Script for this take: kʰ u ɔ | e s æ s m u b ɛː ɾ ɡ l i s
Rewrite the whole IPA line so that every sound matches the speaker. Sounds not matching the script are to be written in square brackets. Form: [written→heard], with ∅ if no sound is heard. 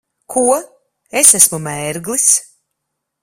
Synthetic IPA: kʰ u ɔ | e s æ s m u [b→m] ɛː ɾ ɡ l i s